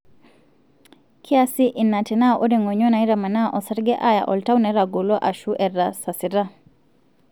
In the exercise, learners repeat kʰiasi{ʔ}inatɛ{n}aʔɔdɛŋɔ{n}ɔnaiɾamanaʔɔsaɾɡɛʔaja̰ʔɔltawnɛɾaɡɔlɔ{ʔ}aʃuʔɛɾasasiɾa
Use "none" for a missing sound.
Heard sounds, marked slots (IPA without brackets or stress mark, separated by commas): ʔ, n, ɲ, ʔ